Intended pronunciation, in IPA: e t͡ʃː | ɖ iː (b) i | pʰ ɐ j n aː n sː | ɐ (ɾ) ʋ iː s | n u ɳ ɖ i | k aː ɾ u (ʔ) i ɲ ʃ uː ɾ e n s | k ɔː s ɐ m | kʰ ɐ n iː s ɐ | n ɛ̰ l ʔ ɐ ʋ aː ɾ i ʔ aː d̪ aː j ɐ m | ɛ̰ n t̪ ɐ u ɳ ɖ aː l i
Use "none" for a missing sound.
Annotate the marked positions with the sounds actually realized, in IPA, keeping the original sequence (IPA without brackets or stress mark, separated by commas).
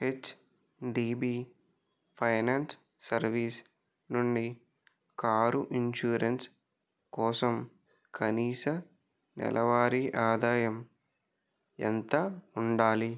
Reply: b, ɾ, ʔ